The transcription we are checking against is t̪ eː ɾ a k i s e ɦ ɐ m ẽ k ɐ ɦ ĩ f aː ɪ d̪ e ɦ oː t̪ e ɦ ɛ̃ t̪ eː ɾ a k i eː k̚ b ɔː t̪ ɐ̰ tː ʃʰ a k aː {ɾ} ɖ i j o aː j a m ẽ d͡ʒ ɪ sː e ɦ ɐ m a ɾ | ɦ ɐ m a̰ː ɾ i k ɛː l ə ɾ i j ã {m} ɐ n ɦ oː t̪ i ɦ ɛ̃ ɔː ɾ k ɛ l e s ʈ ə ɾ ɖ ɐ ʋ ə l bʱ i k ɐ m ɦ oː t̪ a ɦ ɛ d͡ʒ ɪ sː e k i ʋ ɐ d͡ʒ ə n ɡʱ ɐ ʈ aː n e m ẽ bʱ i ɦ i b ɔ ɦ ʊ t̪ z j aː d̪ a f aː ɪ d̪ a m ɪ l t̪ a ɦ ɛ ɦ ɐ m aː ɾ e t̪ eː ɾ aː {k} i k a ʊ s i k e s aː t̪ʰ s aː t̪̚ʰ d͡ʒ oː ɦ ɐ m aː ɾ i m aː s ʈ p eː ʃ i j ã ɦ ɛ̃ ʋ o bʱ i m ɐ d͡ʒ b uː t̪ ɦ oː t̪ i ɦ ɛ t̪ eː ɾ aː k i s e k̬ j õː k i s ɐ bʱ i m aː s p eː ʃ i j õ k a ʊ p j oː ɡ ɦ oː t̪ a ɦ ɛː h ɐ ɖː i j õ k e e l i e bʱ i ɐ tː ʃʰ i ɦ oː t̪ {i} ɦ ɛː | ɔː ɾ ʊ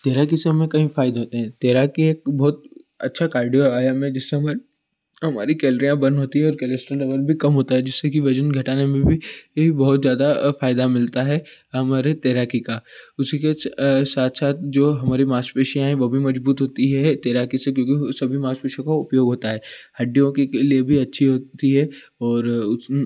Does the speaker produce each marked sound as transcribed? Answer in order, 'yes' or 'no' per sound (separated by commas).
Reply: yes, no, yes, yes